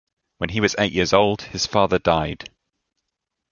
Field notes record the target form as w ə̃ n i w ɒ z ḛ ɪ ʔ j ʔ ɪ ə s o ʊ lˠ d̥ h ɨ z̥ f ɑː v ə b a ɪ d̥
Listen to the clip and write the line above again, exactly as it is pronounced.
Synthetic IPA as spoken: w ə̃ n i w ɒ z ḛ ɪ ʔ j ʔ ɪ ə z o ʊ lˠ d̥ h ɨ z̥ f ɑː ð ə d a ɪ d̥